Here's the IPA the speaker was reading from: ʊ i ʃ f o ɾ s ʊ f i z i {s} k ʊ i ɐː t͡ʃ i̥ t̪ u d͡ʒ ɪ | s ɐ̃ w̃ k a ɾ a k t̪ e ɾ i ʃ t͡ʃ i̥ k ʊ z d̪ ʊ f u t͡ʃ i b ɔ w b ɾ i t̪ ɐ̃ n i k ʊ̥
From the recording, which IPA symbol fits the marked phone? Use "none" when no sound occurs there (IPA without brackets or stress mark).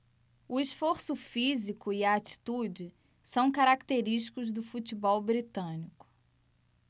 none